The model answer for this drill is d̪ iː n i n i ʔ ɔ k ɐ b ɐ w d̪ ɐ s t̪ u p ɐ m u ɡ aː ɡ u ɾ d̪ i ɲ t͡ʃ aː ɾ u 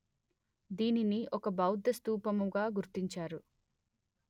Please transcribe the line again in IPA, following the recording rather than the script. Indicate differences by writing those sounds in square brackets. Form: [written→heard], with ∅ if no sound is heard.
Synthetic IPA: d̪ iː n i n i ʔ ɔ k ɐ b ɐ w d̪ ɐ s t̪ [u→uː] p ɐ m u ɡ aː ɡ u ɾ [d̪→t̪] i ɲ t͡ʃ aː ɾ u